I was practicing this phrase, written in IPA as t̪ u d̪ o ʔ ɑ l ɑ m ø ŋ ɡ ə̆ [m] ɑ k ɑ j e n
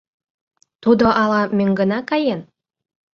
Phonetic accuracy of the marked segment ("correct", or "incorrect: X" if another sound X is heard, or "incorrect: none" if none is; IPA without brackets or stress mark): incorrect: n